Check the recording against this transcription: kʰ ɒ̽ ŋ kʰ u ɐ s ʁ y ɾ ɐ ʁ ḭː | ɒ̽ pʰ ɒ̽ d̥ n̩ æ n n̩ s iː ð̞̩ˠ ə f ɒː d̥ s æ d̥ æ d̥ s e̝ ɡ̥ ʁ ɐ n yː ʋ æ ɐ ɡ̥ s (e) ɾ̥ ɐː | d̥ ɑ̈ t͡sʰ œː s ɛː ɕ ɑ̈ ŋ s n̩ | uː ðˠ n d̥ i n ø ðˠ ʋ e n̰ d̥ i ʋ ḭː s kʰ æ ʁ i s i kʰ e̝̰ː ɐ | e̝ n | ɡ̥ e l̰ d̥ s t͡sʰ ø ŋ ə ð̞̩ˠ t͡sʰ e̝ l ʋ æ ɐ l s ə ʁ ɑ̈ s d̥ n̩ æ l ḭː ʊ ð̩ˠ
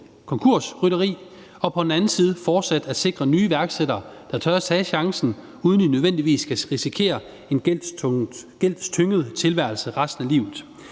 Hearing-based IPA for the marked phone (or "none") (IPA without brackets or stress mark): e